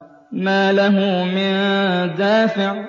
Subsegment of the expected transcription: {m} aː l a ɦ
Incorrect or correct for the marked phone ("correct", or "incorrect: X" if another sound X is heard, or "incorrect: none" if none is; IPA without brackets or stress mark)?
correct